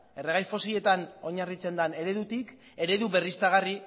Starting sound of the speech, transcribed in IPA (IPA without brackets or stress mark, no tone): e̞